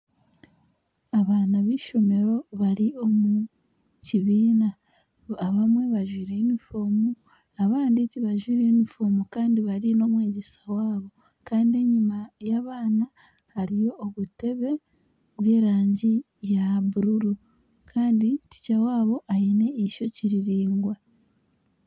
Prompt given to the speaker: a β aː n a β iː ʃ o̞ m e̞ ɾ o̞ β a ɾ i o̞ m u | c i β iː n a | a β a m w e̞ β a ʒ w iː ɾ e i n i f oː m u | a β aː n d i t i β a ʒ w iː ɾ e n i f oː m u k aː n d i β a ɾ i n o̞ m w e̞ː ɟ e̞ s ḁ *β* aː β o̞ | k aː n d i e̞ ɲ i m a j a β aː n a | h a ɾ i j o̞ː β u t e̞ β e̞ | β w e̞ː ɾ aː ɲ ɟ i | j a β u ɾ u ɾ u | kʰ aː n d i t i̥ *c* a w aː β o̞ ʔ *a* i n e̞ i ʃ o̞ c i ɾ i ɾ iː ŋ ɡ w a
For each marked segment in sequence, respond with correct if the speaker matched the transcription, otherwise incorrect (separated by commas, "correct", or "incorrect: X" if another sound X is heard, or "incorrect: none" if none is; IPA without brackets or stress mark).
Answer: incorrect: w, correct, correct